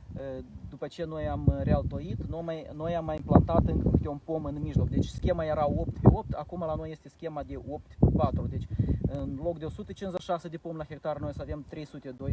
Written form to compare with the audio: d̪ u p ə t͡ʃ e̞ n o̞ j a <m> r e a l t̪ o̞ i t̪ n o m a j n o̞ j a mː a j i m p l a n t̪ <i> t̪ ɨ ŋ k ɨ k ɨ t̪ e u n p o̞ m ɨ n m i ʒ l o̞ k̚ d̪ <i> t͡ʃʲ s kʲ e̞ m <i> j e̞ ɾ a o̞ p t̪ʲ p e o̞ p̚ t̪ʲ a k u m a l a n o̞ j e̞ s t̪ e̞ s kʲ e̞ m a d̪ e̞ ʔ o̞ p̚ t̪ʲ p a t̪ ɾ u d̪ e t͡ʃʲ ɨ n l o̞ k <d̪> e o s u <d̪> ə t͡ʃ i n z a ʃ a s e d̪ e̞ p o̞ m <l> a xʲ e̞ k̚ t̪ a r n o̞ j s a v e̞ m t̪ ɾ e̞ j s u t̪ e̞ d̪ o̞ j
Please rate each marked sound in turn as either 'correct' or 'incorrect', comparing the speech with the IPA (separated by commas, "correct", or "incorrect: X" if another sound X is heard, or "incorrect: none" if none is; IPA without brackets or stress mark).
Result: correct, incorrect: a, incorrect: e, incorrect: a, correct, incorrect: t̪, correct